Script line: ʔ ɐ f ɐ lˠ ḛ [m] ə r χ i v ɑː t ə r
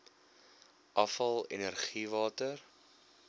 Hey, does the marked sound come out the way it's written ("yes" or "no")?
no